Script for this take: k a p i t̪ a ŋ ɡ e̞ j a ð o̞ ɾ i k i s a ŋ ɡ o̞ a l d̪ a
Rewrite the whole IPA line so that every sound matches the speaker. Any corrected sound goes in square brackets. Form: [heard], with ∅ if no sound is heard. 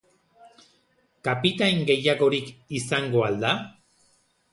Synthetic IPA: k a p i t̪ a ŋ ɡ e̞ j a [ɣ] o̞ ɾ i k i s a ŋ ɡ o̞ a l d̪ a

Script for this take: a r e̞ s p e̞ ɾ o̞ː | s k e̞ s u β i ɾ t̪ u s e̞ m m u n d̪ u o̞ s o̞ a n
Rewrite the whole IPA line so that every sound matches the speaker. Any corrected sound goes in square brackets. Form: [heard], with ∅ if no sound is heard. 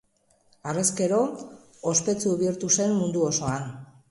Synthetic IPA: a r e̞ s [k] e̞ ɾ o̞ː | s [p] e̞ [t͡s] u β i ɾ t̪ u s e̞ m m u n d̪ u o̞ s o̞ a n

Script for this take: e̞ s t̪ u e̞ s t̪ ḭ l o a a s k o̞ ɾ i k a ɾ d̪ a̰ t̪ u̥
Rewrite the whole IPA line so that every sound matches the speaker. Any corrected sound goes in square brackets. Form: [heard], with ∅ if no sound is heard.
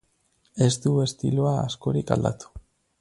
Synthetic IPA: e̞ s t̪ u e̞ s t̪ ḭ l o a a s k o̞ ɾ i k a [l] d̪ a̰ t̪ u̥

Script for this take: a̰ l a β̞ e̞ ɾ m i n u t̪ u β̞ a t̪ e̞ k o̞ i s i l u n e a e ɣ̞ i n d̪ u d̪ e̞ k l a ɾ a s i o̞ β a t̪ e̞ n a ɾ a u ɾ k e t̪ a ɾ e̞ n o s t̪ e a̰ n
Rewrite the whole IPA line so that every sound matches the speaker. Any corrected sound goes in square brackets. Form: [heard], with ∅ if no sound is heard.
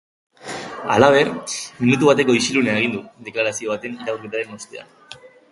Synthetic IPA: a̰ l a β̞ e̞ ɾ m i n u t̪ u β̞ a t̪ e̞ k o̞ i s i l u n e a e ɣ̞ i n d̪ u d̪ e̞ k l a ɾ a s i o̞ β a t̪ e̞ n [i] ɾ a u ɾ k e t̪ a ɾ e̞ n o s t̪ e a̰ n

